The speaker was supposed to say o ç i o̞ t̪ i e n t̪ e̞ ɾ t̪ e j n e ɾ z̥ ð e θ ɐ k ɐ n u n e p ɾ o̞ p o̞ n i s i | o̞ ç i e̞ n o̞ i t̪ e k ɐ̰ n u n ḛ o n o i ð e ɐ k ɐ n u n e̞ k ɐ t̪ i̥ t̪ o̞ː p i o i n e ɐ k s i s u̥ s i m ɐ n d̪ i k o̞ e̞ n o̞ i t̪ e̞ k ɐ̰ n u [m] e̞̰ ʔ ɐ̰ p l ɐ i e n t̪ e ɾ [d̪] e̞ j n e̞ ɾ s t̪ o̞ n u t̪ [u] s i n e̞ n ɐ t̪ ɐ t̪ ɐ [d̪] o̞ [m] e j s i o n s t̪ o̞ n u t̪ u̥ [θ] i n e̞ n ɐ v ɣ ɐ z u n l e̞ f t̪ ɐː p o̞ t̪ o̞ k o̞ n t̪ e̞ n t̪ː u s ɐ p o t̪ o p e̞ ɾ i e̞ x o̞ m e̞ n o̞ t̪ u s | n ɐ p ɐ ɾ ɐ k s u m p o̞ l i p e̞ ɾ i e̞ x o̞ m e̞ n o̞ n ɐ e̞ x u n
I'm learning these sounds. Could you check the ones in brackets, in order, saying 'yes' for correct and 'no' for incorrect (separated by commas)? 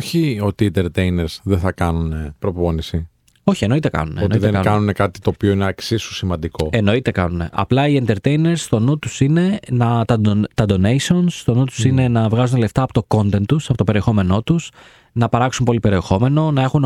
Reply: no, no, yes, yes, no, no